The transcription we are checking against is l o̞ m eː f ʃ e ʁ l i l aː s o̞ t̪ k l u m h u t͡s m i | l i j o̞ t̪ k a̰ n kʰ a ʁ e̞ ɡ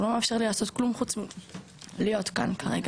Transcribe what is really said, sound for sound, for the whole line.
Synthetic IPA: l o̞ m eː f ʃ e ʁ l i l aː s o̞ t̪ k l u m χ u t͡s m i | l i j o̞ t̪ k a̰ n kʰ a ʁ e̞ ɡ